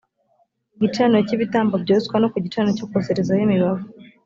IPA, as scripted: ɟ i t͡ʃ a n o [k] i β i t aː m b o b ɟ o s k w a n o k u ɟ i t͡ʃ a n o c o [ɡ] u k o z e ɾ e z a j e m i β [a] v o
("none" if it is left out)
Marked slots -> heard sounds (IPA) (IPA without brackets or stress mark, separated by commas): c, k, a